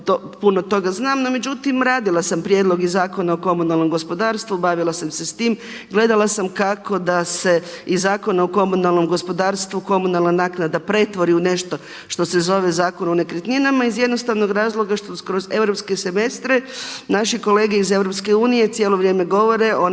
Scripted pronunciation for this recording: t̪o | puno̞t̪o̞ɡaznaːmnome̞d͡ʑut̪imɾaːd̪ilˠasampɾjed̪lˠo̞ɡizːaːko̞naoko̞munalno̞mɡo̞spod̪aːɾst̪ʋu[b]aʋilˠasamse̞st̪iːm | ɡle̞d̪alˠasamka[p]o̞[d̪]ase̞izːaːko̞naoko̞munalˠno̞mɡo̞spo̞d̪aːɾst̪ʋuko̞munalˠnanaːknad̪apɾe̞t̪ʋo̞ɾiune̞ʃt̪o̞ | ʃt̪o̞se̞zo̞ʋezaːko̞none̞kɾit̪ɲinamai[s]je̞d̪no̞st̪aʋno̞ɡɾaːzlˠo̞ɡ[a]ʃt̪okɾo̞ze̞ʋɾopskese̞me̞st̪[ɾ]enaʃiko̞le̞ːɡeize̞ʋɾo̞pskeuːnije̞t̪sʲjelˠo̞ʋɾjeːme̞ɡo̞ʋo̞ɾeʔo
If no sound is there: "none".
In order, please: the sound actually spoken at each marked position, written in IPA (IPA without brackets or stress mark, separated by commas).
b, k, d̪, z, a, ɾ